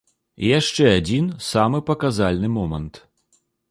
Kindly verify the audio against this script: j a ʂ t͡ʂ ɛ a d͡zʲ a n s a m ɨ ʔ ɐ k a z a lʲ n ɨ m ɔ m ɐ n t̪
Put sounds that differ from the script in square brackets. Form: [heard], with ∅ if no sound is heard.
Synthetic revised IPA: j a ʂ t͡ʂ ɛ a d͡zʲ [i] n s a m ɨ [p] ɐ k a z a lʲ n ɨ m ɔ m ɐ n t̪